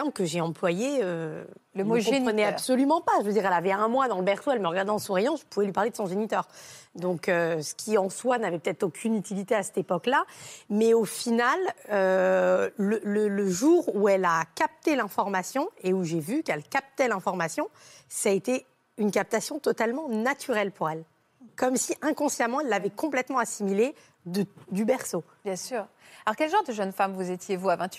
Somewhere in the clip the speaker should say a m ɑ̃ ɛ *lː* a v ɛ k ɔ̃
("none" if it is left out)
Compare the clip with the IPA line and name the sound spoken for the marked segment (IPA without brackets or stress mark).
lː